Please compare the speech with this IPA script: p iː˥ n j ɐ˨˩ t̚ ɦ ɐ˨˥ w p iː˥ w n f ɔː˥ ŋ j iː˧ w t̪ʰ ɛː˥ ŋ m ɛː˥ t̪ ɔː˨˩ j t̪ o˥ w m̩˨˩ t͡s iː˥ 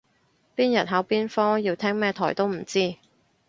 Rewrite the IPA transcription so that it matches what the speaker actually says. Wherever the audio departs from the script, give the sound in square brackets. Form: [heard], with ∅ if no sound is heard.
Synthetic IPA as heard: p iː˥ n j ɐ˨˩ t̚ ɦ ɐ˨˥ w p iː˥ [∅] n f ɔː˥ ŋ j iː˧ w t̪ʰ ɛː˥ ŋ m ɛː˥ [t̪ʰ] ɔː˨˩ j t̪ o˥ w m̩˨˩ t͡s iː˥